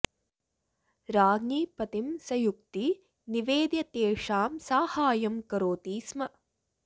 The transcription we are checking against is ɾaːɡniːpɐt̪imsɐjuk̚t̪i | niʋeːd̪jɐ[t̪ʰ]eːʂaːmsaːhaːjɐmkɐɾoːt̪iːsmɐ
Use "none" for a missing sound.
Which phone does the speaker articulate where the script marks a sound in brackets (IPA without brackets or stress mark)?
t̪